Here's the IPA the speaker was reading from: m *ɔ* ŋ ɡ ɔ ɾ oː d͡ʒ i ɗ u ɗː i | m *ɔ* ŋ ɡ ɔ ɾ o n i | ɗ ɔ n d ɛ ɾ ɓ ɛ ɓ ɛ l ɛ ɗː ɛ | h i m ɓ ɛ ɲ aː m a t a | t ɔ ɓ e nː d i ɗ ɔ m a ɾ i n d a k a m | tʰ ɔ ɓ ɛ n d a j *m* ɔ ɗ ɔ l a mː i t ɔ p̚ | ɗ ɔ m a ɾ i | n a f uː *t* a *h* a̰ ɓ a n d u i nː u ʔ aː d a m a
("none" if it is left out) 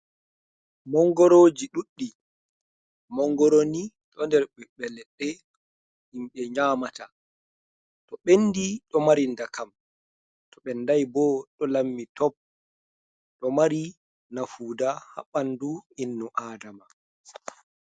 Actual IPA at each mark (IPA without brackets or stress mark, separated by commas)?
ɔ, ɔ, b, d, h